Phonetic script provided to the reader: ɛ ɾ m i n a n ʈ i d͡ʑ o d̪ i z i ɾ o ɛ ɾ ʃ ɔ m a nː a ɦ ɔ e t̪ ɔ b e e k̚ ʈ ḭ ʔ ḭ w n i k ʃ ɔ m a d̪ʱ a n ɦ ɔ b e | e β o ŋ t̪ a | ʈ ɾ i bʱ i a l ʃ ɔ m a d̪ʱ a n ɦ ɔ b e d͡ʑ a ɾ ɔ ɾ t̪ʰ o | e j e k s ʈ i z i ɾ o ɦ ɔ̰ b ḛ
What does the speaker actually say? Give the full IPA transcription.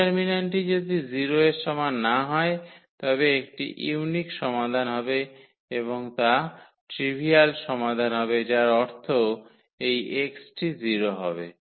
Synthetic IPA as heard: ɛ ɾ m i n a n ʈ i d͡ʑ o d̪ i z i ɾ o e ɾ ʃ ɔ m a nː a ɦ ɔ e t̪ ɔ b e e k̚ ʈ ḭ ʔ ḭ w n i k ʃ ɔ m a d̪ʱ a n ɦ ɔ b e | e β o ŋ t̪ a | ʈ ɾ i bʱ i a l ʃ ɔ m a d̪ʱ a n ɦ ɔ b e d͡ʑ a ɾ ɔ ɾ t̪ʰ o | e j e k s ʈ i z i ɾ o ɦ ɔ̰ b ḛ